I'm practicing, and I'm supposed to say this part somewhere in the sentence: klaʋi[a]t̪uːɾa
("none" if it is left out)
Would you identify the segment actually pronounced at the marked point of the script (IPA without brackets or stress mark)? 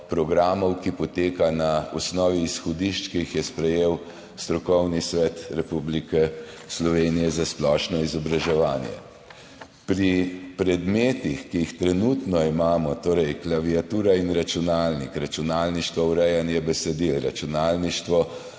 a